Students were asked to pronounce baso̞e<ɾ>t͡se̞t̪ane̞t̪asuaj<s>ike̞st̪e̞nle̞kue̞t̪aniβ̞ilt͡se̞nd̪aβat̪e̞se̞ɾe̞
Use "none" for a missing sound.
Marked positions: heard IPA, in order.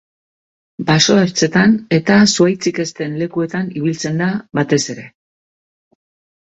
ɾ, t͡s

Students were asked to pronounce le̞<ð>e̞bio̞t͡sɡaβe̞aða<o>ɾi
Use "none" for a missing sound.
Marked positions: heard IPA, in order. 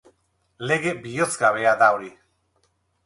ɣ, o

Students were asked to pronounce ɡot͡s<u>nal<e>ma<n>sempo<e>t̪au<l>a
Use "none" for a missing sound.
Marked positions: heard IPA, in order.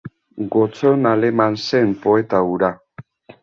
o, e, n, e, ɾ

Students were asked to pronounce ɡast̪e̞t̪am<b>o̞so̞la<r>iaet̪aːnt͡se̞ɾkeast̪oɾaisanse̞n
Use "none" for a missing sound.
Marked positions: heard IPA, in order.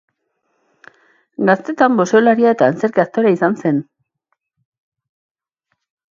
b, ɾ

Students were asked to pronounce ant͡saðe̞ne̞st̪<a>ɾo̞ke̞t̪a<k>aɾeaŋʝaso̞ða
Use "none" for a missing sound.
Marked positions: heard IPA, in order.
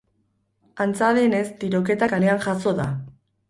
i, k

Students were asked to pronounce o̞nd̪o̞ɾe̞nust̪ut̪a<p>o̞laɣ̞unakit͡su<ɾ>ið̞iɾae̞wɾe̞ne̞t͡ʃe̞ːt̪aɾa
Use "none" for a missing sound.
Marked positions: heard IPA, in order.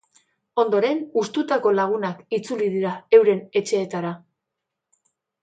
k, l

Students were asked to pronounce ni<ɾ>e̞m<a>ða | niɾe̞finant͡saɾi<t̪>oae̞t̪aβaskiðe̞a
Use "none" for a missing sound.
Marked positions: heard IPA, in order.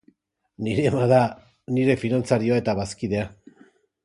ɾ, a, none

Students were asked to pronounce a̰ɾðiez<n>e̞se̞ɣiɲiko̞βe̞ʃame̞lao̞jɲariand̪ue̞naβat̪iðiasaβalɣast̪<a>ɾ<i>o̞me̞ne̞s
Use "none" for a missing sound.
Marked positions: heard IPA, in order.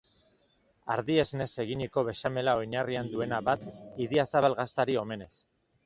n, a, i

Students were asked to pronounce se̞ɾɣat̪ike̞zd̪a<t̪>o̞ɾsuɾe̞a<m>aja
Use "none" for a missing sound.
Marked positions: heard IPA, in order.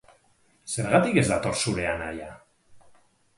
t̪, n

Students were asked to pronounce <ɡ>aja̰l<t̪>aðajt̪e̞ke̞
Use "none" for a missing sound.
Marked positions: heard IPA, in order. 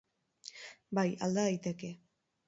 b, d̪

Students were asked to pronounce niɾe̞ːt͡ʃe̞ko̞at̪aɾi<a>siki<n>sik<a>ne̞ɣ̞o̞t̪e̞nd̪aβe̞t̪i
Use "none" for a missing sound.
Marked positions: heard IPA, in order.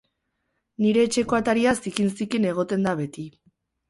a, n, i

